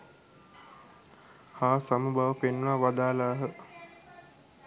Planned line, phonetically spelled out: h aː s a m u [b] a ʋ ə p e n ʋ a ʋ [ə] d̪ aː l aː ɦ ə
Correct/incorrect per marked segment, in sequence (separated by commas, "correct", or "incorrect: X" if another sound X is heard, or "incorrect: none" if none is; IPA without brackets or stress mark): correct, incorrect: a